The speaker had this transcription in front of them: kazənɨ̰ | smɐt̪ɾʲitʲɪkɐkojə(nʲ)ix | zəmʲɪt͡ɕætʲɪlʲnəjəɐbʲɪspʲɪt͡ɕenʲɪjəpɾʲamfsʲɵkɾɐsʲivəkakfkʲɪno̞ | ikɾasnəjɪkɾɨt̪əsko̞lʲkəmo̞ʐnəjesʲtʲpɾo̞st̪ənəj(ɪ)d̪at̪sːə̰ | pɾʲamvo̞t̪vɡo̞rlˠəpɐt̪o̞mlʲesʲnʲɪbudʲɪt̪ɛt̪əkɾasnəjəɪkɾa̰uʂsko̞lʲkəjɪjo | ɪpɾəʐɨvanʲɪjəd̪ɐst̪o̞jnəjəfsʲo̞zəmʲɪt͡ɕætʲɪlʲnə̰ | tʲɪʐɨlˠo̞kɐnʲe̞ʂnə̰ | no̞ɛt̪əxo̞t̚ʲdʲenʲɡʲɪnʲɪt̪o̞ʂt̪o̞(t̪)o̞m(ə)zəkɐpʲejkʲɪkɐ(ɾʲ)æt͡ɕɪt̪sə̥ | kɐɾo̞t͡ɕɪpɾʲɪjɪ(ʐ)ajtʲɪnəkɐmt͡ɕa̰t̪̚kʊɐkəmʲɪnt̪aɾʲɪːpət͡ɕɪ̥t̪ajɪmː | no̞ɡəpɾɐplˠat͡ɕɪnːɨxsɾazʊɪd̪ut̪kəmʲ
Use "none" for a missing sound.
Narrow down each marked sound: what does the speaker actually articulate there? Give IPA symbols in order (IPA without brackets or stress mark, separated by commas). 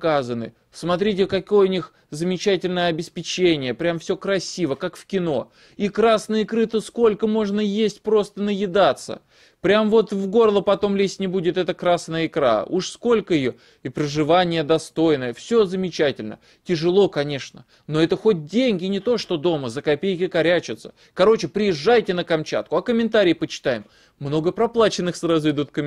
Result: nʲ, ɪ, d̪, ə, ɾʲ, ʐː